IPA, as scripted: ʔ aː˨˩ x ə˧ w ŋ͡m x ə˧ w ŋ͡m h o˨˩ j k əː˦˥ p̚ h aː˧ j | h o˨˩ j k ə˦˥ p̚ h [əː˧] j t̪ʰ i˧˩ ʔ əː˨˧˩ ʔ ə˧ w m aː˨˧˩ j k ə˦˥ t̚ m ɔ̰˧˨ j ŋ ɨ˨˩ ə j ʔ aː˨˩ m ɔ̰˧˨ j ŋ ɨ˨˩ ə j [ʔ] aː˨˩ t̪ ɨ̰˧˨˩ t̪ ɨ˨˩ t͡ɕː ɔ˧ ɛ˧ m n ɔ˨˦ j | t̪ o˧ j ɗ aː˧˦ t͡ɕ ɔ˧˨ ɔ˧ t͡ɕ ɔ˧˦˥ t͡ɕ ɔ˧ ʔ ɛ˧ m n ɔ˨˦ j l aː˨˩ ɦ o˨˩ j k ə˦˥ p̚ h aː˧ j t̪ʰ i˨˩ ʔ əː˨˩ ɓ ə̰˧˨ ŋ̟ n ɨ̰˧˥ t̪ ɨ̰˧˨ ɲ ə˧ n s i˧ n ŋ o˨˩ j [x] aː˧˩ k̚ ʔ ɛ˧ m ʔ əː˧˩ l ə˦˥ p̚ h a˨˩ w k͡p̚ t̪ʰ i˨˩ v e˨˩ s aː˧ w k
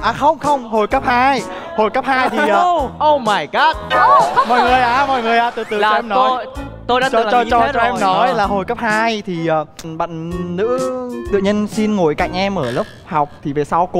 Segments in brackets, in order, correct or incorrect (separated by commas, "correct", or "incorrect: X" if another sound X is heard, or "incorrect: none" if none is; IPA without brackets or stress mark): incorrect: aː˧, correct, incorrect: k